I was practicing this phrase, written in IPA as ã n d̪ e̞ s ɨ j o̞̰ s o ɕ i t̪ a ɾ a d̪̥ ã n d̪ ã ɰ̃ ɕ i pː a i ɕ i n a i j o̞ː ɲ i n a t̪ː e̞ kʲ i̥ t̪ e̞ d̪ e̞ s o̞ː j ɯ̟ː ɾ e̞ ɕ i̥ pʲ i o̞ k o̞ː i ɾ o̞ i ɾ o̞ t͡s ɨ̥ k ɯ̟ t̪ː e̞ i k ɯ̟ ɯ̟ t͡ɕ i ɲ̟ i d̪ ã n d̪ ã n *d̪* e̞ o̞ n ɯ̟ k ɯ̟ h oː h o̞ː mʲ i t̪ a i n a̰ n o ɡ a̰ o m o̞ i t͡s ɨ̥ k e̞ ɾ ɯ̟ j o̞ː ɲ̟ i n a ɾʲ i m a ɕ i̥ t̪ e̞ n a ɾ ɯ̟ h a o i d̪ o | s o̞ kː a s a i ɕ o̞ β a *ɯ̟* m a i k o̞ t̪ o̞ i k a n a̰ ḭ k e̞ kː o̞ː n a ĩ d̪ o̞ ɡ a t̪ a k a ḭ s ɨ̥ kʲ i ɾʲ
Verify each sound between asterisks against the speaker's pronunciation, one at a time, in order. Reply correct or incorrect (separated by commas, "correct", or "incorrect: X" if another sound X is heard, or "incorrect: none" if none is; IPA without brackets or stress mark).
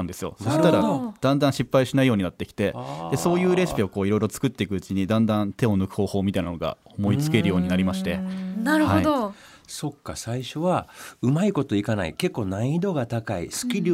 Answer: incorrect: t̪, correct